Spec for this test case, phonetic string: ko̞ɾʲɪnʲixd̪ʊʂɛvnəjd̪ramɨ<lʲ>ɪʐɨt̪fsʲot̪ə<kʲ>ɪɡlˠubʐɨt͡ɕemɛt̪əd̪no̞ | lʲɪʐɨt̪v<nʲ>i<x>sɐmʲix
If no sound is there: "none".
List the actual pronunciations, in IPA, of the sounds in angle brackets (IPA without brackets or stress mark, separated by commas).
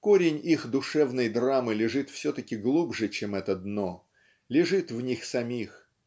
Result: lʲ, kʲ, nʲ, x